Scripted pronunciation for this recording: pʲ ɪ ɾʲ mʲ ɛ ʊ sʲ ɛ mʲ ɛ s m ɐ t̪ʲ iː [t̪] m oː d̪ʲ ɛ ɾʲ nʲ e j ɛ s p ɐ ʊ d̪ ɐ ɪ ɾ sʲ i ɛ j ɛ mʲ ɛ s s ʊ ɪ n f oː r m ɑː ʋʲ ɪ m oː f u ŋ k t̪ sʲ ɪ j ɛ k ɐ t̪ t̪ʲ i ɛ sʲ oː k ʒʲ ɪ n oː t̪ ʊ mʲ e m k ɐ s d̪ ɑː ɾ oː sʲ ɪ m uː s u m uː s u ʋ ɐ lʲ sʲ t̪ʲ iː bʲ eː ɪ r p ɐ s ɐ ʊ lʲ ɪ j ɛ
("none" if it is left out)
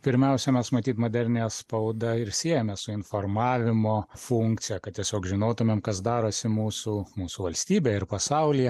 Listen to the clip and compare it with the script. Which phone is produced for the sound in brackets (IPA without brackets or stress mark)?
t̪